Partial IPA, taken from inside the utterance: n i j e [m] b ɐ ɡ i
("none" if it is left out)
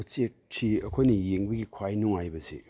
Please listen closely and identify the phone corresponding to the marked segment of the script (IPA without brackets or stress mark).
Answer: ŋ